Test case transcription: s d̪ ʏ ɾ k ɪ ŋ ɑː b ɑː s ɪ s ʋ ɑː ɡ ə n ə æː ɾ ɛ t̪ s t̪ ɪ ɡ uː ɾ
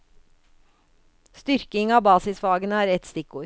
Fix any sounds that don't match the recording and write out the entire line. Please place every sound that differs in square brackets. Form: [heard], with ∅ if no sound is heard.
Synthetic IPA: s [t̪] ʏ ɾ k ɪ ŋ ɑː b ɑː s ɪ s ʋ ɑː ɡ ə n ə æː ɾ ɛ t̪ s t̪ ɪ [k] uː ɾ

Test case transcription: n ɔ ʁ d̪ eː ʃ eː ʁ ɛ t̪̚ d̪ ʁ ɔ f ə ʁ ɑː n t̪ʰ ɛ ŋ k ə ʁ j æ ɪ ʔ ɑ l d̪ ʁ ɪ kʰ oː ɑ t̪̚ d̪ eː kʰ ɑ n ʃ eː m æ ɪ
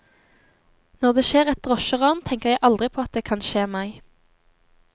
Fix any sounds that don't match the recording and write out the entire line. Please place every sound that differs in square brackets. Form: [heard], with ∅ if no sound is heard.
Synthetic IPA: n ɔ ʁ d̪ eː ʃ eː ʁ ɛ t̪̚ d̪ ʁ ɔ [ʃ] ə ʁ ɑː n t̪ʰ ɛ ŋ k ə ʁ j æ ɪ ʔ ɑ l d̪ ʁ ɪ [pʰ] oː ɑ t̪̚ d̪ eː kʰ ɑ n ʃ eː m æ ɪ

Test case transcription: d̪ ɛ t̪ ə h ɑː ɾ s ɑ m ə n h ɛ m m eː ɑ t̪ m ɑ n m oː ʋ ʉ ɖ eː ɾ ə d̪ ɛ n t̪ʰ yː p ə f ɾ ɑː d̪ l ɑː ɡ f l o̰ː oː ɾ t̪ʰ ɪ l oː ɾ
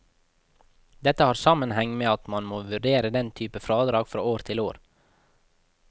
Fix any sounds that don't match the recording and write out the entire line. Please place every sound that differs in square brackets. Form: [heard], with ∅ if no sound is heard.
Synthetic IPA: d̪ ɛ t̪ ə h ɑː ɾ s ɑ m ə n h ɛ [ŋ] m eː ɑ t̪ m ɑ n m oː ʋ ʉ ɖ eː ɾ ə d̪ ɛ n t̪ʰ yː p ə f ɾ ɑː d̪ [ɾ] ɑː ɡ f [ɾ] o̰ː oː ɾ t̪ʰ ɪ l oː ɾ

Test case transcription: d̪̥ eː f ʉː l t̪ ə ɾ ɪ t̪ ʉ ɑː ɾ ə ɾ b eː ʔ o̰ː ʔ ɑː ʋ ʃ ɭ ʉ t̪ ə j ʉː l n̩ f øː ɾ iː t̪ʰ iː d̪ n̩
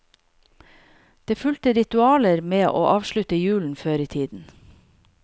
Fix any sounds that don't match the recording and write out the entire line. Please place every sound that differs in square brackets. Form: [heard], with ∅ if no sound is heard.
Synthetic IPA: d̪̥ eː f [ʉ] l t̪ ə ɾ ɪ t̪ ʉ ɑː [l] ə ɾ [m] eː ʔ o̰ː ʔ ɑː ʋ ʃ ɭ ʉ t̪ ə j ʉː l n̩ f øː ɾ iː t̪ʰ iː d̪ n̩

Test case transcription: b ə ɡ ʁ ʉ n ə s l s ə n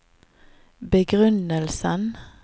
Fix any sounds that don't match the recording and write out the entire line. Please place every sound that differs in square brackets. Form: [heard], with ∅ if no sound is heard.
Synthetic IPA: b ə ɡ ʁ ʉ n ə [∅] l s ə n

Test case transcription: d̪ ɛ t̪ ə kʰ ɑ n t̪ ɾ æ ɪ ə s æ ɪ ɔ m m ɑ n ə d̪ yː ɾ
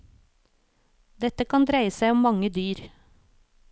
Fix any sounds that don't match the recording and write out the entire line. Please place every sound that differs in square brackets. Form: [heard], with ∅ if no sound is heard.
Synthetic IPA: d̪ ɛ t̪ ə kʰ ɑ n [d̪] ɾ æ ɪ ə s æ ɪ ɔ m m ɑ [ŋ] ə d̪ yː ɾ

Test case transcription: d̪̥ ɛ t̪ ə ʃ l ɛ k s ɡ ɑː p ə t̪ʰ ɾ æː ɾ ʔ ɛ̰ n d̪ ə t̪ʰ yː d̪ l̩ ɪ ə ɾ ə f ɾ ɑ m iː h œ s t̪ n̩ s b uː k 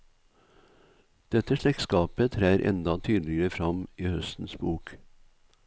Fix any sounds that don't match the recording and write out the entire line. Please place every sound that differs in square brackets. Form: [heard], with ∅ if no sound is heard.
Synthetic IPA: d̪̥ ɛ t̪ ə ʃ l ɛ k s [k] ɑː p ə t̪ʰ ɾ æː ɾ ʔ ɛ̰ n d̪ [ɑ] t̪ʰ yː d̪ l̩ ɪ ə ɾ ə f ɾ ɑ m iː h œ s t̪ n̩ s b uː k

